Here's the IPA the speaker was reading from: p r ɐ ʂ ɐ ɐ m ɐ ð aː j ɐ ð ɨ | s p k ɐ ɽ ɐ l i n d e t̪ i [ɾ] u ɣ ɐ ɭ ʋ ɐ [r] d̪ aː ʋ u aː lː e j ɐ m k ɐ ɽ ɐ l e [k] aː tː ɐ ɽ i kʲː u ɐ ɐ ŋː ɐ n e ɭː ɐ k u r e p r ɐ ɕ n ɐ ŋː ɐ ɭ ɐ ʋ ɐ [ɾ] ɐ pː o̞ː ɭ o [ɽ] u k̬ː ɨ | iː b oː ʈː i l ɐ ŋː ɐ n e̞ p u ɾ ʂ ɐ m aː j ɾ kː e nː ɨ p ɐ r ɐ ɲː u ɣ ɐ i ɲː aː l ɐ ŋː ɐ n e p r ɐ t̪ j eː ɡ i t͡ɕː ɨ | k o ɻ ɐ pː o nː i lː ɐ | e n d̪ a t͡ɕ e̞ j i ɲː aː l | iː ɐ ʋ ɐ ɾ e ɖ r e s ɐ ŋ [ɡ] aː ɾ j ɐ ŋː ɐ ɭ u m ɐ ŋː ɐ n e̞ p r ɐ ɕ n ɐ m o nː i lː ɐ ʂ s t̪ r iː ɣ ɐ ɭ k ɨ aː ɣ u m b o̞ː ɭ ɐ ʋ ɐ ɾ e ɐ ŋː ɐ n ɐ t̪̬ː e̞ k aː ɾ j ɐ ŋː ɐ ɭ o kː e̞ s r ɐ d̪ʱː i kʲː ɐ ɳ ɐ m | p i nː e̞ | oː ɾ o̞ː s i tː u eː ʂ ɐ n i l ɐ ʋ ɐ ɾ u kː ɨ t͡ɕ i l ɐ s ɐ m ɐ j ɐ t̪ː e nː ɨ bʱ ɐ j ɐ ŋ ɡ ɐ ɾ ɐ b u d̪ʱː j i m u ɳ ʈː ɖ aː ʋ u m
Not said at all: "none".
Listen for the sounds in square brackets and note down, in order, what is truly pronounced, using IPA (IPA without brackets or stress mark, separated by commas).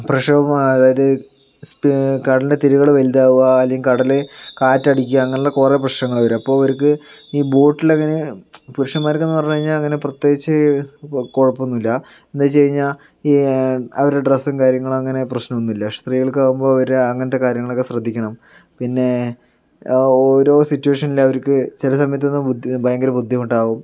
ɾ, l, k, ɾ, ɾ, k